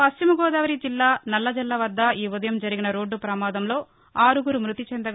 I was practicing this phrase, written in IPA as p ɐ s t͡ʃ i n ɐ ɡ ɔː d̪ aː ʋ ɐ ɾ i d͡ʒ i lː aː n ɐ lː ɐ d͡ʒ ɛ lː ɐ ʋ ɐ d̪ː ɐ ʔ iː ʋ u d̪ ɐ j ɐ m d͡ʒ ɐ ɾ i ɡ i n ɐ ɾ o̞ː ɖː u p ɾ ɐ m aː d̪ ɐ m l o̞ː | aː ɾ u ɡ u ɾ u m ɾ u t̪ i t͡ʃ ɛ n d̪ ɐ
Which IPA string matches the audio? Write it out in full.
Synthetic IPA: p ɐ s t͡ʃ i m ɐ ɡ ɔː d̪ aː ʋ ɐ ɾ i d͡ʒ i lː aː n ɐ lː ɐ d͡ʒ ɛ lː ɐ ʋ ɐ d̪ː ɐ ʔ iː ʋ u d̪ ɐ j ɐ m d͡ʒ ɐ ɾ i ɡ i n ɐ ɾ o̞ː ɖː u p ɾ ɐ m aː d̪ ɐ m l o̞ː | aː ɾ u ɡ u ɾ u m ɾ u t̪ i t͡ʃ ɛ n d̪ ɐ